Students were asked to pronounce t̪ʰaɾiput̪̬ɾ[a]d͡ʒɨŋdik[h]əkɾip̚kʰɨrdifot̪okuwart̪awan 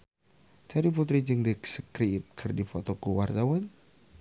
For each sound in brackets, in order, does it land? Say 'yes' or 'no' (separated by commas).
no, no